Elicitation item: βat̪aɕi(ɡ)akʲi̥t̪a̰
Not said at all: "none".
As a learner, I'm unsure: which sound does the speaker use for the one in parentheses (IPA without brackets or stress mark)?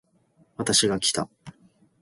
ɡ